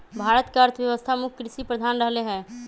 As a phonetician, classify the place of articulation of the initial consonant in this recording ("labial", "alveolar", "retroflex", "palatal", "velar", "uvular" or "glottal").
labial